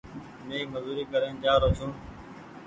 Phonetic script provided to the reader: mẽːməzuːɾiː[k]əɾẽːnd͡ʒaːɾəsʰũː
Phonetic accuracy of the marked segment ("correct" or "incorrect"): correct